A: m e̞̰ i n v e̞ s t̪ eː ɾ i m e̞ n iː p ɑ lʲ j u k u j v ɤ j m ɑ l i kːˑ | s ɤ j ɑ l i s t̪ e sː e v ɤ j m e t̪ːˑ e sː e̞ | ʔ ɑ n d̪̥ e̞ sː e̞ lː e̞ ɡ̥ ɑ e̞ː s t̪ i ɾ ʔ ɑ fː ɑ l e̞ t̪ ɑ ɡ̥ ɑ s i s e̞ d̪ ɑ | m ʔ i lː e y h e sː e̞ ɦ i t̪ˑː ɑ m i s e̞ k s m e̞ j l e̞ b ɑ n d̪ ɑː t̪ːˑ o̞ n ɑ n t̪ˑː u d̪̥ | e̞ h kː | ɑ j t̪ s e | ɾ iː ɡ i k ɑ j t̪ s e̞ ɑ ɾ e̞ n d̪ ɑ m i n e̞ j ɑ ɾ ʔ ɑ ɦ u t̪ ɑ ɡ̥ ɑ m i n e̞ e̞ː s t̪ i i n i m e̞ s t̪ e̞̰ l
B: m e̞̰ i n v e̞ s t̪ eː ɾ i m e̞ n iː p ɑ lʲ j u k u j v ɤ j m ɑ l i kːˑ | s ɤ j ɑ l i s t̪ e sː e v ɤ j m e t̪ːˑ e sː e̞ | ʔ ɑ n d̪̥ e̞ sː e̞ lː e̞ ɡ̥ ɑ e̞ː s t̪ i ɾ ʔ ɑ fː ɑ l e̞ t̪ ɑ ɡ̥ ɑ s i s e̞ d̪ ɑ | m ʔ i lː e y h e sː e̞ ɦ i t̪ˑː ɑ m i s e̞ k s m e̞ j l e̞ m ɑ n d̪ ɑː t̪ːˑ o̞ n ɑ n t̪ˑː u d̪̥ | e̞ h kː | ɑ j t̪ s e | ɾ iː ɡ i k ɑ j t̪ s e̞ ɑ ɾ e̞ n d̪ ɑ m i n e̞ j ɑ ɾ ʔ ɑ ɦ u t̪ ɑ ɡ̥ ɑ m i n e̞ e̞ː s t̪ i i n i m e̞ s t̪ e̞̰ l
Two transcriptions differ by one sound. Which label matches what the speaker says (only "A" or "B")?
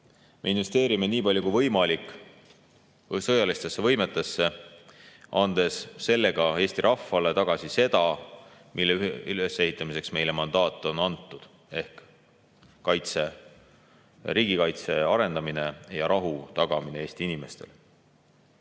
B